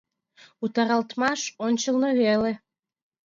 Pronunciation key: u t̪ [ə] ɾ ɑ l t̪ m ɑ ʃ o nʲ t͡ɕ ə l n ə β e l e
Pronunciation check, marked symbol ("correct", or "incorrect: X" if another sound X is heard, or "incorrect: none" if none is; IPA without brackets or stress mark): incorrect: ɑ